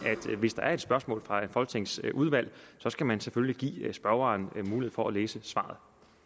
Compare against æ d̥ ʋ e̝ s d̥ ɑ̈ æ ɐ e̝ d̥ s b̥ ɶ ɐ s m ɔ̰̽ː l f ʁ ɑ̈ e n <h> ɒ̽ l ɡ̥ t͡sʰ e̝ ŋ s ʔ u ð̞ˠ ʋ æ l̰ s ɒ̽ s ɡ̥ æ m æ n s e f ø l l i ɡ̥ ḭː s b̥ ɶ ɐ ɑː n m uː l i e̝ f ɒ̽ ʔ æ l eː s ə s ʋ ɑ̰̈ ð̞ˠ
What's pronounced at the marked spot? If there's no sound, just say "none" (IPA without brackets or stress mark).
f